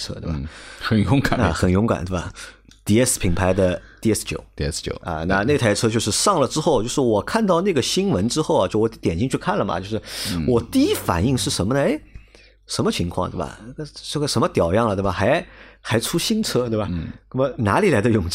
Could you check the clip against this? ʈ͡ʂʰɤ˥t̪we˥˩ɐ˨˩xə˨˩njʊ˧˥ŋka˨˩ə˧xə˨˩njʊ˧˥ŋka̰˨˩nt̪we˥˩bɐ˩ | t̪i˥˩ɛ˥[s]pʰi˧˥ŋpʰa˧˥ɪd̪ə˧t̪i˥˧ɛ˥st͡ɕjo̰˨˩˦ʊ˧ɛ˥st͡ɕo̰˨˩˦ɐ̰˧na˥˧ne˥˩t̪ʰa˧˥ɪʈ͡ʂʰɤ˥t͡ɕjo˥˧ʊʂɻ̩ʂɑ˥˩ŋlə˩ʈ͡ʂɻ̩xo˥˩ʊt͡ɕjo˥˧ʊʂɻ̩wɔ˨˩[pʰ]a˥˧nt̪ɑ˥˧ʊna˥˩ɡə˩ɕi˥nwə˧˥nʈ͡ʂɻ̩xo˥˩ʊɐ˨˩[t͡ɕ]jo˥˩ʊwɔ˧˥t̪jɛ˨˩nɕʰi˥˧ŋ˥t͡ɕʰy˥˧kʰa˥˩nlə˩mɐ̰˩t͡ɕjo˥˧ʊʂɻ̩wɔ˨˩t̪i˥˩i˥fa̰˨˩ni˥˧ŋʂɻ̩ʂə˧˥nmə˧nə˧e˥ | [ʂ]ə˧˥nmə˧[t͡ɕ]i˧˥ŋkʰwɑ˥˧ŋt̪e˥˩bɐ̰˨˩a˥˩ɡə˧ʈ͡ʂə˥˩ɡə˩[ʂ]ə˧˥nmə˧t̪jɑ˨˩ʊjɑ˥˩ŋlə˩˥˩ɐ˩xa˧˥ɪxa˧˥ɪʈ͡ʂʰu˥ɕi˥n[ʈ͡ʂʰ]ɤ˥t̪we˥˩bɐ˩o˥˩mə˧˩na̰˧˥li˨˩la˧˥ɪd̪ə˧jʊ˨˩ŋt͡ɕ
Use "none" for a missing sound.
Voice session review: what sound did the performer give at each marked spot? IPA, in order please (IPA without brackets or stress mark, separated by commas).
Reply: s, kʰ, t͡ɕ, ʂ, t͡ɕʰ, ʂ, ʈ͡ʂʰ